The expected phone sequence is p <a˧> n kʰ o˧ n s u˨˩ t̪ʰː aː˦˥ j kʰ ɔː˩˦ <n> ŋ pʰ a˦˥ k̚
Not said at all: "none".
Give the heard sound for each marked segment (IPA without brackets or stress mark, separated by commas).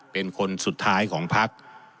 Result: e˧, none